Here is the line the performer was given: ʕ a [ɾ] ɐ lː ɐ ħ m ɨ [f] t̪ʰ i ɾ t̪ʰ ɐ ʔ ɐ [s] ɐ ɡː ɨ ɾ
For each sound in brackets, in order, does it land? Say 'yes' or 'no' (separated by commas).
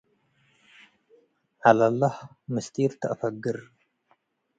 no, no, no